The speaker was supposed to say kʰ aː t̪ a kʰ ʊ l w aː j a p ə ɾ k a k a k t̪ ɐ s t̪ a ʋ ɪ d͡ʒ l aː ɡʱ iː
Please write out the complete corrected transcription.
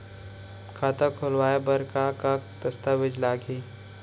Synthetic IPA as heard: kʰ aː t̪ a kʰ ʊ l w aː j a b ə ɾ k a k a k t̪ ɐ s t̪ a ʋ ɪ d͡ʒ l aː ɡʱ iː